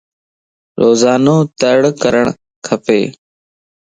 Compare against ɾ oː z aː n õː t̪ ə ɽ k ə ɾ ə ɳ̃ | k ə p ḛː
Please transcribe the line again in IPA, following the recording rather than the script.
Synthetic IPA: ɾ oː z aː n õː t̪ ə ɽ k ə ɾ ə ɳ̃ | kʰ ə p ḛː

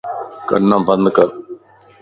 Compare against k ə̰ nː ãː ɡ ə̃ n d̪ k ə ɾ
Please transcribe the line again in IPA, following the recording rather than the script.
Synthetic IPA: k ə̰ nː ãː b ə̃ n d̪ k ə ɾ

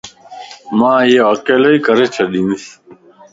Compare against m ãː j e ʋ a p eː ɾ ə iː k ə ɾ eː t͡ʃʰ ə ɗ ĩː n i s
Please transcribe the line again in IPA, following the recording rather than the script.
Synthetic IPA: m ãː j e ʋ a k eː l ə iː k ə ɾ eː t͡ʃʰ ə ɗ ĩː n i s

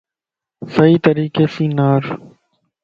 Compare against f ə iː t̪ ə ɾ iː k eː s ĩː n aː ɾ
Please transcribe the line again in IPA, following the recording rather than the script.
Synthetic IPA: s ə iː t̪ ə ɾ iː k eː s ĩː n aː ɾ

